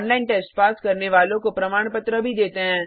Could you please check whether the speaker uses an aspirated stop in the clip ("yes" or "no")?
no